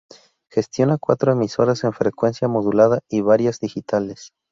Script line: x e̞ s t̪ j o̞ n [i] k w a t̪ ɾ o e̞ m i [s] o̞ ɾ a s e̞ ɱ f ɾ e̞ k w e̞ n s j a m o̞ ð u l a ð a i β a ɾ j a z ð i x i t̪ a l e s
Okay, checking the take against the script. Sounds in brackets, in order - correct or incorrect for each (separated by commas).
incorrect, correct